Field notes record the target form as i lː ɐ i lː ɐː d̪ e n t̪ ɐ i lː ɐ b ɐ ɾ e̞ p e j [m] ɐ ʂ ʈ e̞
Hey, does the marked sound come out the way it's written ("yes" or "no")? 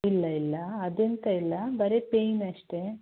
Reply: no